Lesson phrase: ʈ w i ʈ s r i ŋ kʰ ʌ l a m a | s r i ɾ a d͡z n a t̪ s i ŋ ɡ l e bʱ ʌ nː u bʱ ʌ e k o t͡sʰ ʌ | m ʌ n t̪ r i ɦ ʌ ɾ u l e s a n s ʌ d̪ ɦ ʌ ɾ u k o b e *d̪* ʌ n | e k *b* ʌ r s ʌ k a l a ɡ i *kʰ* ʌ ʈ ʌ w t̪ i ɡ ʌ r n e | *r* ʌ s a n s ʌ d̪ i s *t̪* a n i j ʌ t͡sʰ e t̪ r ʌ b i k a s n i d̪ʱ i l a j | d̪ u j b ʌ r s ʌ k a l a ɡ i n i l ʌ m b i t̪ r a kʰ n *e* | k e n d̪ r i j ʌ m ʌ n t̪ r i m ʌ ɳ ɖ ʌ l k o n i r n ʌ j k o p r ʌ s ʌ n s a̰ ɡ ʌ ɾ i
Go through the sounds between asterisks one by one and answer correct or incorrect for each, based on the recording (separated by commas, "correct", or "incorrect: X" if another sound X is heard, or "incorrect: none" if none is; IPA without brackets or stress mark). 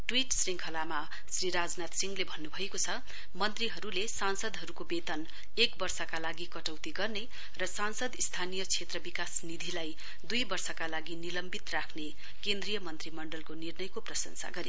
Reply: incorrect: t̪, correct, incorrect: k, correct, incorrect: t̪ʰ, correct